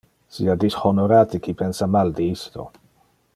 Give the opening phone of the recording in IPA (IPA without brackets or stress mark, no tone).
s